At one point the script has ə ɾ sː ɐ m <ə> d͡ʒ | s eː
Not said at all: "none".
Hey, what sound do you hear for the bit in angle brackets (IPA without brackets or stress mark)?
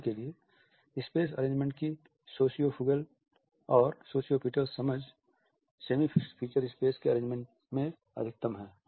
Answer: ə